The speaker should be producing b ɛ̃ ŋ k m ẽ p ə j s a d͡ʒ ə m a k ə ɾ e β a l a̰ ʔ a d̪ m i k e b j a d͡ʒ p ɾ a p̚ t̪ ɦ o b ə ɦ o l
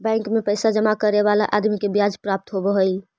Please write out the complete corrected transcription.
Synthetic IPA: b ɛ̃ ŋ k m e p ə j s a d͡ʒ ə m a k ə ɾ e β a l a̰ ʔ a d̪ m i k e b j a d͡ʒ p ɾ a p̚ t̪ ɦ o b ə ɦ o l